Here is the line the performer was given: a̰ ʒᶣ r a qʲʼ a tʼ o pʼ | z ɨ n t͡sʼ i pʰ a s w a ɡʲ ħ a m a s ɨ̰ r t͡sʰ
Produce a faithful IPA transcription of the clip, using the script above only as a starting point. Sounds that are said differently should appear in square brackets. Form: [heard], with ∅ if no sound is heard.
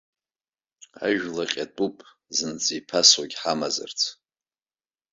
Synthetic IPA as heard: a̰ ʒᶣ [l] a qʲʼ a tʼ [u] pʼ | z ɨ n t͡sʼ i pʰ a s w a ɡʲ ħ a m a [z] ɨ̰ r t͡sʰ